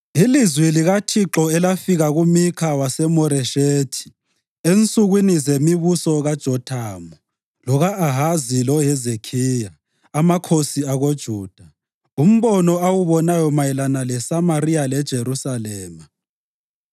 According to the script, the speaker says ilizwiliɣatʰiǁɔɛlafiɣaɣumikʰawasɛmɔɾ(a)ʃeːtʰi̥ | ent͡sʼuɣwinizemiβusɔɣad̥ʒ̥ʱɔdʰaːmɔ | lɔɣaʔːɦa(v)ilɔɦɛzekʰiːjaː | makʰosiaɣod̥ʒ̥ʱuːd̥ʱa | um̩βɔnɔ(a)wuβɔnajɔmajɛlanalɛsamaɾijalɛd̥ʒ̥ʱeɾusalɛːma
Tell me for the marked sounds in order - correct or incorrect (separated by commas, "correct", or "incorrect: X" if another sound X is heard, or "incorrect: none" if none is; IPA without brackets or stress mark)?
incorrect: ɛ, incorrect: z, correct